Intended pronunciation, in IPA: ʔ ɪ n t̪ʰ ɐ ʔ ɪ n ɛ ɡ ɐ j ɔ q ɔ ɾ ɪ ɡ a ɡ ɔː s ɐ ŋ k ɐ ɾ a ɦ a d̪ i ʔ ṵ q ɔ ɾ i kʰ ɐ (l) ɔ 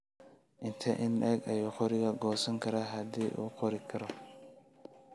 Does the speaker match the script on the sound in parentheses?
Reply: no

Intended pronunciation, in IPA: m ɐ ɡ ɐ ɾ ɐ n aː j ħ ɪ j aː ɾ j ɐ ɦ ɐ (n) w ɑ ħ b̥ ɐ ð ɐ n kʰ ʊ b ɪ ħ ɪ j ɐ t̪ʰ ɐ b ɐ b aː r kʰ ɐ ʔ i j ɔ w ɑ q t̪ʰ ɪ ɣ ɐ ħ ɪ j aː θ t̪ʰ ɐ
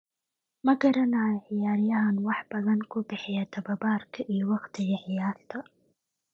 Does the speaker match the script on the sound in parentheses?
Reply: yes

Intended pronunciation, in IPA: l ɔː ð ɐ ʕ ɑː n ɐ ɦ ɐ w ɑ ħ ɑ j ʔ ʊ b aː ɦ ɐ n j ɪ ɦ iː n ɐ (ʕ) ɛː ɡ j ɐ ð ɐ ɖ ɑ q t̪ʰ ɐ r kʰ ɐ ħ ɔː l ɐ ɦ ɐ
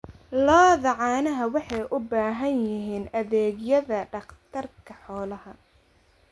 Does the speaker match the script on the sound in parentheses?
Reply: no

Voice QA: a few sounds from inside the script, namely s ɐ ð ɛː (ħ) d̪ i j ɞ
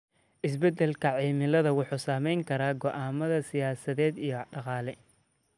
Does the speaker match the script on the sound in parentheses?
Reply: no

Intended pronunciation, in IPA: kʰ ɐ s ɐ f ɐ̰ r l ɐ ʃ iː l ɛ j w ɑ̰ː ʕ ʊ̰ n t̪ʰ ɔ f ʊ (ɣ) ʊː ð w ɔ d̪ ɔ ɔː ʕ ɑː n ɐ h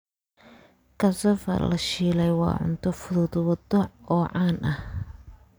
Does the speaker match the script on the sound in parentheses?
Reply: no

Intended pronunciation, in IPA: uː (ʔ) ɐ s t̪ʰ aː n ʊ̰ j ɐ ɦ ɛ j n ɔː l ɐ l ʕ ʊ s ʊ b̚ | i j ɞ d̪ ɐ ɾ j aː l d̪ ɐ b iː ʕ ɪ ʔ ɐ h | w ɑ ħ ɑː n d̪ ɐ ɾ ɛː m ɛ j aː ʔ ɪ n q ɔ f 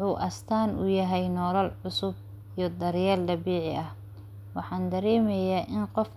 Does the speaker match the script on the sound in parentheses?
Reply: yes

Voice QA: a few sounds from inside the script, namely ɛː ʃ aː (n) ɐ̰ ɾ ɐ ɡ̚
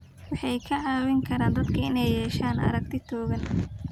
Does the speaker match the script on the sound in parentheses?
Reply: yes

